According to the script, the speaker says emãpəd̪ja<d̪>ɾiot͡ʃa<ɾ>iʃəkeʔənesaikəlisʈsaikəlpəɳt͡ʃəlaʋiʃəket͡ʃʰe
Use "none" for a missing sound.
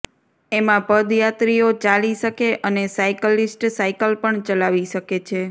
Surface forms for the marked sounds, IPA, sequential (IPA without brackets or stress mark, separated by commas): t̪, l